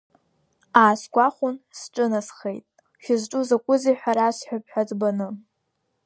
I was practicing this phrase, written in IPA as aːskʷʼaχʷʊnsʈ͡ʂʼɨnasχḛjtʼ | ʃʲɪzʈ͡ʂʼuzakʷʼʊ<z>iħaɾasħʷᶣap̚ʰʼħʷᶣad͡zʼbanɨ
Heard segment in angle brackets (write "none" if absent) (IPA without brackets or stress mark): z